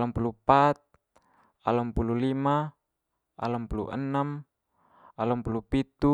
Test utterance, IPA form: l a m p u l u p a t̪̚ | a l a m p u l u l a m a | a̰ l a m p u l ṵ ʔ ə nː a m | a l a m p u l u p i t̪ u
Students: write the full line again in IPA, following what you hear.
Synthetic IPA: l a m p u l u p a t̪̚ | a l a m p u l u l i m a | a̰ l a m p u l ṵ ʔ ə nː a m | a l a m p u l u p i t̪ u

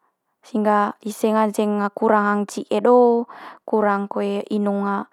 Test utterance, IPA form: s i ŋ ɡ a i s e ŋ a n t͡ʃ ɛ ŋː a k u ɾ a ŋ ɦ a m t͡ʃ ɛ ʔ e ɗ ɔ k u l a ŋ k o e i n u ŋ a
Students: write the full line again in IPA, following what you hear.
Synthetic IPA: s i ŋ ɡ a i s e ŋ a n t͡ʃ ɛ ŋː a k u ɾ a ŋ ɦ a ŋ t͡ʃ i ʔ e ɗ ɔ k u ɾ a ŋ k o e i n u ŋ a

